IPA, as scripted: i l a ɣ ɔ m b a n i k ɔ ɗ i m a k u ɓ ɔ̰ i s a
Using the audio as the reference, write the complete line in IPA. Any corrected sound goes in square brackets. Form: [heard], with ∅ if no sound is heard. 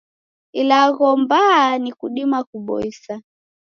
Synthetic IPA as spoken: i l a ɣ ɔ m b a n i k [u] ɗ i m a k u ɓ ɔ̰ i s a